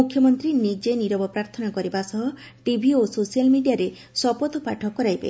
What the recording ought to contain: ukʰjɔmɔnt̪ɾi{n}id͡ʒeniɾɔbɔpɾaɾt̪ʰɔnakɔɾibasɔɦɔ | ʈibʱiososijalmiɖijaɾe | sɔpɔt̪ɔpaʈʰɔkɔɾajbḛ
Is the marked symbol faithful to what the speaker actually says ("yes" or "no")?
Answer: yes